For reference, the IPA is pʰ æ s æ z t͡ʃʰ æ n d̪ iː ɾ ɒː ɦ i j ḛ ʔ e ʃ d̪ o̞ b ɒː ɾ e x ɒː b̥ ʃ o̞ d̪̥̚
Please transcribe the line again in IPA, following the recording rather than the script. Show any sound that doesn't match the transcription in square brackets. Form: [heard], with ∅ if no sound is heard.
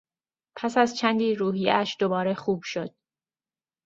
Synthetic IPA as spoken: pʰ æ s æ z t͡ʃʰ æ n d̪ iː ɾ [uː] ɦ i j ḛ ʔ [æ] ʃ d̪ o̞ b ɒː ɾ e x [uː] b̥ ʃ o̞ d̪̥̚